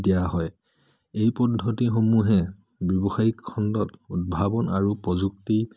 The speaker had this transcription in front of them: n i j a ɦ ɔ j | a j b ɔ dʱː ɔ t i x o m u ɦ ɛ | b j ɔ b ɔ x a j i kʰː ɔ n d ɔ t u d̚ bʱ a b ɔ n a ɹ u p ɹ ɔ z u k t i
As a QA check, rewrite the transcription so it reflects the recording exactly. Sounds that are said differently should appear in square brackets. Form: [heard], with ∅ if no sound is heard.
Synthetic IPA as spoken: [d] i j a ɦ ɔ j | [e] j [p] ɔ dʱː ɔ t i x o m u ɦ ɛ | b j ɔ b ɔ x a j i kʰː ɔ n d ɔ t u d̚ bʱ a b ɔ n a ɹ u p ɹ ɔ z u k t i